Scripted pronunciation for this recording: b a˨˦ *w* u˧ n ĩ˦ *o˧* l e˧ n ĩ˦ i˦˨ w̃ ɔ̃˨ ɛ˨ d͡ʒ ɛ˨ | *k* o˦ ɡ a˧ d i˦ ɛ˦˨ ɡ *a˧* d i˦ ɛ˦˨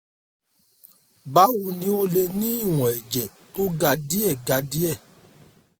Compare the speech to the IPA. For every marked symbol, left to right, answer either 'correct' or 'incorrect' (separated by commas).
correct, correct, incorrect, correct